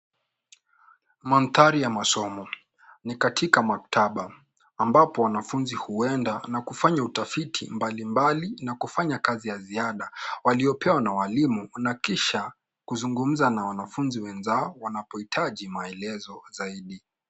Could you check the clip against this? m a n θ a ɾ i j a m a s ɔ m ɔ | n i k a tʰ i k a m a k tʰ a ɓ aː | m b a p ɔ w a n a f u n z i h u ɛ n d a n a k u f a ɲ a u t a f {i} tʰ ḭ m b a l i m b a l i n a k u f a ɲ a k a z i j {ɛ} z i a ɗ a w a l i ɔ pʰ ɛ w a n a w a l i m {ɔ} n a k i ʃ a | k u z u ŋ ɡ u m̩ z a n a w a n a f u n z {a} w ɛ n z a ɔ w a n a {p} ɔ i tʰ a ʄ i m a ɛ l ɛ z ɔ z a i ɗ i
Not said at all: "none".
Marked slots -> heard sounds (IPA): i, a, u, i, p

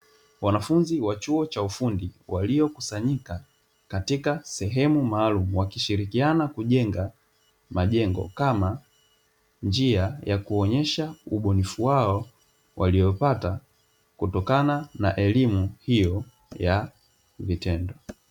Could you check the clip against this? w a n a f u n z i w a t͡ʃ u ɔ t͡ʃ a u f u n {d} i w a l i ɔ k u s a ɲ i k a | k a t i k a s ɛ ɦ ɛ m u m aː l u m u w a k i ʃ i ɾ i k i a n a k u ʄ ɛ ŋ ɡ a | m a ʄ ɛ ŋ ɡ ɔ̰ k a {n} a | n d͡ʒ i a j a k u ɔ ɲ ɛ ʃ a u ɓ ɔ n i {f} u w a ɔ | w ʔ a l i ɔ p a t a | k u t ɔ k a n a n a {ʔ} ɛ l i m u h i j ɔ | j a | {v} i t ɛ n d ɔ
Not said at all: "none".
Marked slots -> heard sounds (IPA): d, m, f, ʔ, v

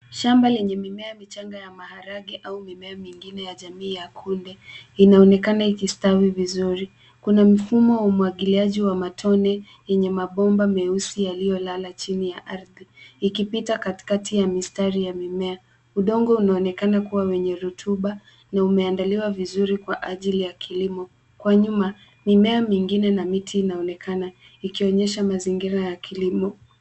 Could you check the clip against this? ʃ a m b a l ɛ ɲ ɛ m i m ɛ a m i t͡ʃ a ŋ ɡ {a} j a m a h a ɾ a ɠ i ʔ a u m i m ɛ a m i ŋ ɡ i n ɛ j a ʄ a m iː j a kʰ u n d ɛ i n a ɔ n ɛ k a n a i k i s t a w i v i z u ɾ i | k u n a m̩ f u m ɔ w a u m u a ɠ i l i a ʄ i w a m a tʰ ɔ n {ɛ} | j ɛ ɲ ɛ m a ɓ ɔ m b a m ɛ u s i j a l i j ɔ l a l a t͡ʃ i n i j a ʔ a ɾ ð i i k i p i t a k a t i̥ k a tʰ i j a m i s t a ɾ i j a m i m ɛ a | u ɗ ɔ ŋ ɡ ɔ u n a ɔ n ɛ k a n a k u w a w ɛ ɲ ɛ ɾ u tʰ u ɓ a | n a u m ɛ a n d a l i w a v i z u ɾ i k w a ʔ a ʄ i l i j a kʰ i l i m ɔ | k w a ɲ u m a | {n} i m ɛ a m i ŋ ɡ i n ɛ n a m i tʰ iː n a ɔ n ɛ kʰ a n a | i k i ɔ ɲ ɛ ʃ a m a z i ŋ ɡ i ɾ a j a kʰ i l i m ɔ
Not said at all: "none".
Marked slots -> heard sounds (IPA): a, ɛ, m

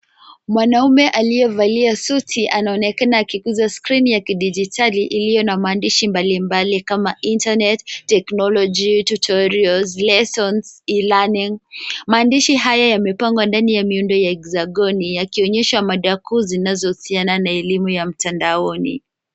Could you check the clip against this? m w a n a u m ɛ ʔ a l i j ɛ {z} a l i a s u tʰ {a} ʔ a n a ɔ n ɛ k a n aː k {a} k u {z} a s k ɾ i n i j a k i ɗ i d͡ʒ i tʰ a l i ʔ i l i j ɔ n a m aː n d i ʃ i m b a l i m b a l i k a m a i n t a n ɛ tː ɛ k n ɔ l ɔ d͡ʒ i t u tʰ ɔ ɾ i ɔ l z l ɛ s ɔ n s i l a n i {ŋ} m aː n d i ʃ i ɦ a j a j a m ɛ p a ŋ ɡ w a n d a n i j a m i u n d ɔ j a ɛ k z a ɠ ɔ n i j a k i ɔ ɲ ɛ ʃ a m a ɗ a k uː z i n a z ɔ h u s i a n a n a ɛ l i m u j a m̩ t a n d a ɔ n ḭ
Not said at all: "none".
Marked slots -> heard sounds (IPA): v, i, i, z, ŋ

